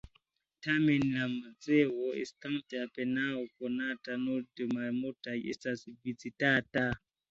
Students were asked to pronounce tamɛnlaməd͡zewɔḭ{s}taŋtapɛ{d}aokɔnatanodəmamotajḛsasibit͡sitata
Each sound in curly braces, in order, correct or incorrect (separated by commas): correct, incorrect